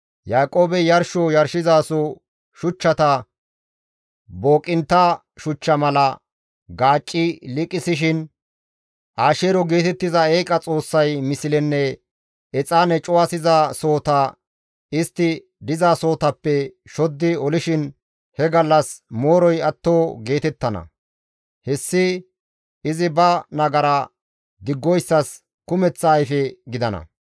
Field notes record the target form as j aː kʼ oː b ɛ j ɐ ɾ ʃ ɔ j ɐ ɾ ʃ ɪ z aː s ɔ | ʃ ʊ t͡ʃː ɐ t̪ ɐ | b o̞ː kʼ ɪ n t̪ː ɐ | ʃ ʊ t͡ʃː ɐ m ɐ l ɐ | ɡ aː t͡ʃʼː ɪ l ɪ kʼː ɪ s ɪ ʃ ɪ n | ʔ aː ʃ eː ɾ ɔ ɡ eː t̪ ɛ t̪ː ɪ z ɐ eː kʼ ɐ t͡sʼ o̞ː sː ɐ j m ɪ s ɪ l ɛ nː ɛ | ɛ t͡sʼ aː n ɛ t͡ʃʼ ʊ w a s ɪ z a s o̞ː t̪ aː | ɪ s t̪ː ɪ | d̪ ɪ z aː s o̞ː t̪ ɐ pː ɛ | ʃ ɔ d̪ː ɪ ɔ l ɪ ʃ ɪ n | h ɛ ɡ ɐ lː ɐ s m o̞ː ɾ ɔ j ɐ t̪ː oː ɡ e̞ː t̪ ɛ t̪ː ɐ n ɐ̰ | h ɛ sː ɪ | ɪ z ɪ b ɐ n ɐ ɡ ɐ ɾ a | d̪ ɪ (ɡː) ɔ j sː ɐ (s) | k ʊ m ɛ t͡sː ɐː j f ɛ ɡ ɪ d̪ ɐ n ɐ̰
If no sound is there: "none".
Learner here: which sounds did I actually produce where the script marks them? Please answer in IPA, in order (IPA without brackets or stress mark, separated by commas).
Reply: ɡː, s